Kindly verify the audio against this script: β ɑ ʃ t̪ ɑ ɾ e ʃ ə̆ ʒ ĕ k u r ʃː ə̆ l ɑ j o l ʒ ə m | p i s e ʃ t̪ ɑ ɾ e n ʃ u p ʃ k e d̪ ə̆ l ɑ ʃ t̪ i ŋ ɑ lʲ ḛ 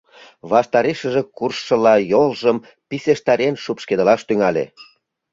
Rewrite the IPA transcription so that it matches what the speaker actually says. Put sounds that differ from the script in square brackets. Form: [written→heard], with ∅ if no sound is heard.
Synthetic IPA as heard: β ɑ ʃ t̪ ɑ ɾ e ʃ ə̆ ʒ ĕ k u r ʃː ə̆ l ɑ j o l ʒ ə m | p i s e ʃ t̪ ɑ ɾ e n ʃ u p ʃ k e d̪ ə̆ l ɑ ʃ t̪ [i→y] ŋ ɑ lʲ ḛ

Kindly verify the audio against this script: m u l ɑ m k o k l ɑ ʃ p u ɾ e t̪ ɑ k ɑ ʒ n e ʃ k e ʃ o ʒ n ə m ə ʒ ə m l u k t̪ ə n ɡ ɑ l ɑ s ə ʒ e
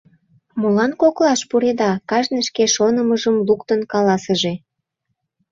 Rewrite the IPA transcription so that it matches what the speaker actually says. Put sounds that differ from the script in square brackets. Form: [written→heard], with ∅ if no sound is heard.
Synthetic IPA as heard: m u l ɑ [m→n] k o k l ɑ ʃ p u ɾ e [t̪→d̪] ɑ k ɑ ʒ n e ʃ k e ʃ o [ʒ→∅] n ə m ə ʒ ə m l u k t̪ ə n [ɡ→k] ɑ l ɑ s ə ʒ e

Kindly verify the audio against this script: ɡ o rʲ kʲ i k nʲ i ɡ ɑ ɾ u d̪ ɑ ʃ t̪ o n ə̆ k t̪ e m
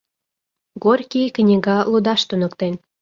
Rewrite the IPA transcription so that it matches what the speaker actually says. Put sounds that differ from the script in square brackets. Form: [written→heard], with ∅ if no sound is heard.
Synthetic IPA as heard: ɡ o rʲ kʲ i k nʲ i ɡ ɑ [ɾ→l] u d̪ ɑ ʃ t̪ [o→u] n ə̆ k t̪ e [m→n]

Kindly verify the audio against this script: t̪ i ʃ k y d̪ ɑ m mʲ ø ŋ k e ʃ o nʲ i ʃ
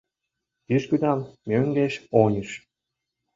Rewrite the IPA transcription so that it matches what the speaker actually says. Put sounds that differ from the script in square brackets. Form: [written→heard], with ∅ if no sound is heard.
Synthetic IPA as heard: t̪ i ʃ k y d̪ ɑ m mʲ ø ŋ [k→ɡ] e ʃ o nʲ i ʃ

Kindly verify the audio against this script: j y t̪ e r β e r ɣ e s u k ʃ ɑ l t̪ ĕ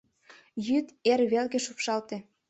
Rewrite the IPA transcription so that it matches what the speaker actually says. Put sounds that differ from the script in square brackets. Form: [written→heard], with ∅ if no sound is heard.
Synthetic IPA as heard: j y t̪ e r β e [r→l] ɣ e [s→ʃ] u [k→p] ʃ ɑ l t̪ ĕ

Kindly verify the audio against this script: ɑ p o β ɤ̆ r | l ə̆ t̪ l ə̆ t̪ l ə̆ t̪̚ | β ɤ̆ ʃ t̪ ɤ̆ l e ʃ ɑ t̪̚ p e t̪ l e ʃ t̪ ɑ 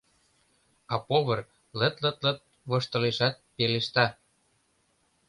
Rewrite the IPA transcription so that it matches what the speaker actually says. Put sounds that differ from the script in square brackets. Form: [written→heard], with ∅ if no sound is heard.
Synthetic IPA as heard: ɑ p o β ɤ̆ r | l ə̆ t̪ l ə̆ t̪ l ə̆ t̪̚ | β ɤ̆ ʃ t̪ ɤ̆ l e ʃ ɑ t̪̚ p e [t̪→∅] l e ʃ t̪ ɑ

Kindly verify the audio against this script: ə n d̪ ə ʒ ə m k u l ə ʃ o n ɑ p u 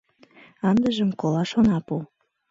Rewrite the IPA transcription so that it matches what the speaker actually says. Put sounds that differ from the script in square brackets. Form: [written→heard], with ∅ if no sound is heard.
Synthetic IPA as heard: [ə→ɑ] n d̪ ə ʒ ə m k [u→o] l [ə→ɑ] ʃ o n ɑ p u

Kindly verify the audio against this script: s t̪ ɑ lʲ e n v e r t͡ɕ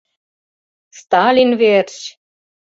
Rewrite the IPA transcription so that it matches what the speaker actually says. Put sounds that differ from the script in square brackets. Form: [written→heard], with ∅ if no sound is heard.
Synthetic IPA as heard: s t̪ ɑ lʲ [e→i] n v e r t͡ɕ

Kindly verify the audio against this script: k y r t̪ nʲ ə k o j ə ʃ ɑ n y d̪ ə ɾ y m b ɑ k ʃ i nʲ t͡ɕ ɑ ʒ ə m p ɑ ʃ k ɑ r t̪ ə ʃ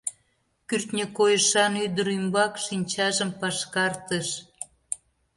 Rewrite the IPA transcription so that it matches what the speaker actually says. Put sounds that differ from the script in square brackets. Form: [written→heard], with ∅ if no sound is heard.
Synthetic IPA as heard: k y r t̪ nʲ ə k o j ə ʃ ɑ n y d̪ ə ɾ y m b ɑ k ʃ i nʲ t͡ɕ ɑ ʒ ə m p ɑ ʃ k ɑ r t̪ ə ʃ

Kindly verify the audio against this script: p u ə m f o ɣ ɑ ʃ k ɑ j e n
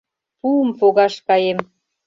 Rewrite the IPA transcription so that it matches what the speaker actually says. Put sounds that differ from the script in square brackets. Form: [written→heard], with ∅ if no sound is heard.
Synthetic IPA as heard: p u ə m f o ɣ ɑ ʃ k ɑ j e [n→m]

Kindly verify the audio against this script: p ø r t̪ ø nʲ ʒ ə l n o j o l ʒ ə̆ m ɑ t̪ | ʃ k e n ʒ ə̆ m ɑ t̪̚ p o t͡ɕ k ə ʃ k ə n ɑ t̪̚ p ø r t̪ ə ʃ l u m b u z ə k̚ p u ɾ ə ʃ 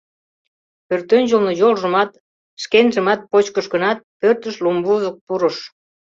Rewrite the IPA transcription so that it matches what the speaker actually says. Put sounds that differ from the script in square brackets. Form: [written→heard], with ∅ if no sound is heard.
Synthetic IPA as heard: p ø r t̪ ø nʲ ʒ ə l n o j o l ʒ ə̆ m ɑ t̪ | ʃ k e n ʒ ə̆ m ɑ t̪̚ p o t͡ɕ k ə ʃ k ə n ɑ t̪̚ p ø r t̪ ə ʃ l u m b u z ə k̚ p u ɾ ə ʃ

